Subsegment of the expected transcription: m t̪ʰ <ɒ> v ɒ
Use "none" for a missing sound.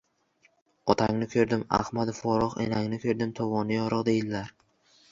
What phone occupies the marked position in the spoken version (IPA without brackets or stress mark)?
ɒ